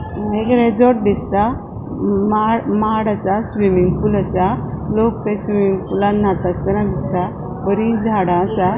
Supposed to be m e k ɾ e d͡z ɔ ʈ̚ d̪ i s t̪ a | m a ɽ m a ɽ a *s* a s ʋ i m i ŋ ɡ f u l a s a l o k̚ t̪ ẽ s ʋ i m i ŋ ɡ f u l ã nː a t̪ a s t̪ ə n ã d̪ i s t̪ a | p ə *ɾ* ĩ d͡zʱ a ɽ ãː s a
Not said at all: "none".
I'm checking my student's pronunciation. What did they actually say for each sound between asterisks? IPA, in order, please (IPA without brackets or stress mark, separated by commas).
s, ɾ